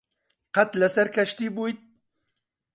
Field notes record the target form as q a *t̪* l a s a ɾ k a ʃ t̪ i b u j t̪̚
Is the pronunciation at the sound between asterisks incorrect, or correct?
correct